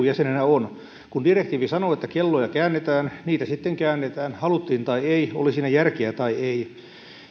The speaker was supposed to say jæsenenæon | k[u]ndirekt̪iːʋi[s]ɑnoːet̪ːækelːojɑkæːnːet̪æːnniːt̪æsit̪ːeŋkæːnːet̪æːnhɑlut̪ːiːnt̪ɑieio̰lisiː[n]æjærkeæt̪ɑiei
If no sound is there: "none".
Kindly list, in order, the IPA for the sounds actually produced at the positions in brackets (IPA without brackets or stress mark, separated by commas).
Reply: u, s, n